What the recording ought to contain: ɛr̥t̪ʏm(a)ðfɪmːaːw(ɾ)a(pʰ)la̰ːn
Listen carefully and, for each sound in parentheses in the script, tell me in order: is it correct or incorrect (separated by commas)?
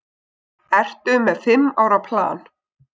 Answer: incorrect, correct, correct